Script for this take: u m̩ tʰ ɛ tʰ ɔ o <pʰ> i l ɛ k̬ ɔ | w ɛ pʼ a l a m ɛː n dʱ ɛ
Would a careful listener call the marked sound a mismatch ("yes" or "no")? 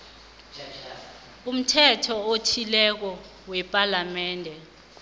yes